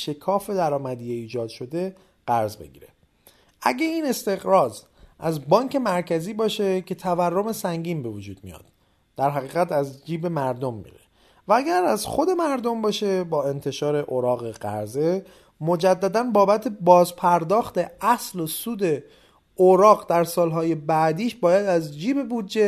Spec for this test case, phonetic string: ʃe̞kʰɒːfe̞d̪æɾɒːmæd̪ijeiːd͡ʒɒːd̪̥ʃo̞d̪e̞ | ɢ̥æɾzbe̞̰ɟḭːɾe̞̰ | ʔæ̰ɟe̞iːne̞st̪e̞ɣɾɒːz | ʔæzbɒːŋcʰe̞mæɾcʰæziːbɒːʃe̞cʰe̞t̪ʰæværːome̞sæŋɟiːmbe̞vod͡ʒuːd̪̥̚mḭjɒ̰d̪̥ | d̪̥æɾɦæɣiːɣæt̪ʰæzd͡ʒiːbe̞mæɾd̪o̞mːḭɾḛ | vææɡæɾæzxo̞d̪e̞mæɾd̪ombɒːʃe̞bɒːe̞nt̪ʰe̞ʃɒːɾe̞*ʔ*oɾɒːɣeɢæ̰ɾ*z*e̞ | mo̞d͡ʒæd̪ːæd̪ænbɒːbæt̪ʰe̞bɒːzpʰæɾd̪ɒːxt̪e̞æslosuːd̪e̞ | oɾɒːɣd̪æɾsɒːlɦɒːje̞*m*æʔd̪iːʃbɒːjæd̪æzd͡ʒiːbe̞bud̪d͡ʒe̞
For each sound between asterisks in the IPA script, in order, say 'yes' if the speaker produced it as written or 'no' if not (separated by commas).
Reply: yes, yes, no